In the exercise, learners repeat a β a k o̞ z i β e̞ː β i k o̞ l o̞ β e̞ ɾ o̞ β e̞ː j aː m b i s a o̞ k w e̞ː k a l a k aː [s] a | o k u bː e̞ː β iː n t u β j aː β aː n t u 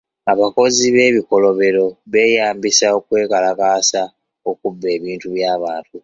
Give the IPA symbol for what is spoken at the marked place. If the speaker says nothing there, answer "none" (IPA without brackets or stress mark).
s